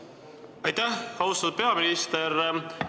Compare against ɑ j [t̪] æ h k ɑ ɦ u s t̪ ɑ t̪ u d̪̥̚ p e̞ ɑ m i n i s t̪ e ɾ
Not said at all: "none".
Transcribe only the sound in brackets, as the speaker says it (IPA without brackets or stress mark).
t̪